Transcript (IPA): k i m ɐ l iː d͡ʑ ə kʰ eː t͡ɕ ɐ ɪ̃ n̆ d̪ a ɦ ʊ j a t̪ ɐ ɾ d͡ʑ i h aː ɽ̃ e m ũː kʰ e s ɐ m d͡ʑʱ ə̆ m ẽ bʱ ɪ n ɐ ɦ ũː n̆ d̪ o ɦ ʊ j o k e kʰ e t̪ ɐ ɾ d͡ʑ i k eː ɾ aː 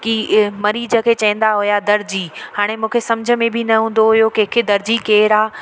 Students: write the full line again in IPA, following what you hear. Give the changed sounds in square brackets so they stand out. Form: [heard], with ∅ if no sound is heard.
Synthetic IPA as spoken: k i m ɐ [ɾ] iː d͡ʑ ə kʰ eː t͡ɕ ɐ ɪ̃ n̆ d̪ a ɦ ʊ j a [d̪] ɐ ɾ d͡ʑ i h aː ɽ̃ e m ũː kʰ e s ɐ m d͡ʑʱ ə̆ m ẽ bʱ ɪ n ɐ ɦ ũː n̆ d̪ o ɦ ʊ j o k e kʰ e [d̪] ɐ ɾ d͡ʑ i k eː ɾ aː